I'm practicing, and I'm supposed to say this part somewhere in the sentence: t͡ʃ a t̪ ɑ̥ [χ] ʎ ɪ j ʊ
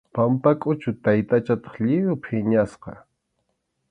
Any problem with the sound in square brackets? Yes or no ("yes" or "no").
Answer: no